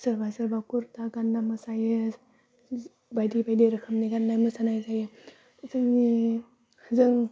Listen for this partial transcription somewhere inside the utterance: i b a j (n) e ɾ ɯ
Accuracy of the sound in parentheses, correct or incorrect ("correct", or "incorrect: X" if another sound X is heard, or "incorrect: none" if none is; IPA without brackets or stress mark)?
incorrect: d